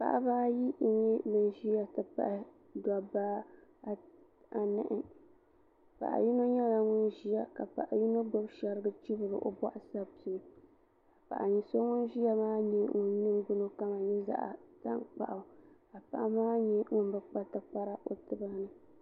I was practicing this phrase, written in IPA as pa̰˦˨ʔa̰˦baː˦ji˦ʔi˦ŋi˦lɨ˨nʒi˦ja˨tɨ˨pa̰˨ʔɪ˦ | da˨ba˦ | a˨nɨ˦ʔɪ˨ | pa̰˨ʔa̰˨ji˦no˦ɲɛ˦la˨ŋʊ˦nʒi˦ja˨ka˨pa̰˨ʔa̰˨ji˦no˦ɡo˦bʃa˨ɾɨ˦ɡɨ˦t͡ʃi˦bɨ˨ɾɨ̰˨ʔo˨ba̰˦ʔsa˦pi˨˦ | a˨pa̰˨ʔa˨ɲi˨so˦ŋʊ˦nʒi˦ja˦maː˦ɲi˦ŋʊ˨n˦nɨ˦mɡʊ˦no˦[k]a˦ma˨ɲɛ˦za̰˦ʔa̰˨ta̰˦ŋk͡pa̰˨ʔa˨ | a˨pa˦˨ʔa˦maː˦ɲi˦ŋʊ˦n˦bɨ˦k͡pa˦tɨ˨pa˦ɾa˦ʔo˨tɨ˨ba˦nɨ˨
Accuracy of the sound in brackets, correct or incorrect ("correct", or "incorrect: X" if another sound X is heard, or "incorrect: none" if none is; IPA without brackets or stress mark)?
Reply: correct